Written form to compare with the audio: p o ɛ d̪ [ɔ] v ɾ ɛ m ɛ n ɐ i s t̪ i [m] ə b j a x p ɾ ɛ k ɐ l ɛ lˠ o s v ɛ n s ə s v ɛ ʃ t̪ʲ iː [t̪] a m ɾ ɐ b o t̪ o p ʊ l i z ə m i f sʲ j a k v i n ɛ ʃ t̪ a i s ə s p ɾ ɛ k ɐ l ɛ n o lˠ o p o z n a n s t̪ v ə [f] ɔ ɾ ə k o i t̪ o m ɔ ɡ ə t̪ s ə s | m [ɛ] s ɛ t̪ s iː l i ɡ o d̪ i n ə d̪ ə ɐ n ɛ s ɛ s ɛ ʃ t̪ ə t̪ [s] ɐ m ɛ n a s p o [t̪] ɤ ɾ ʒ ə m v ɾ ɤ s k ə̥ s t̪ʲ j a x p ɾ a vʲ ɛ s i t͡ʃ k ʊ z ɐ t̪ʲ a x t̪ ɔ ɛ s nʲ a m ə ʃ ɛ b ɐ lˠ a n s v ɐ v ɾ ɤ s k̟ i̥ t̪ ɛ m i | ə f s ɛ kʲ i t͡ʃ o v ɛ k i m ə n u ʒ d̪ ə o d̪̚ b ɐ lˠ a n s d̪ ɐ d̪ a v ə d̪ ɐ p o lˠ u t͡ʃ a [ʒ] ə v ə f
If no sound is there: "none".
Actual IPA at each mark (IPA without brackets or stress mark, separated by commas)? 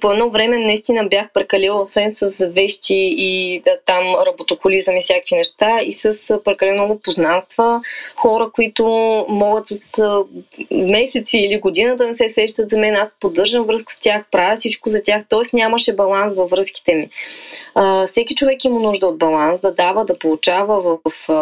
ɔ, n, t̪, x, ɛ, z, d̪, v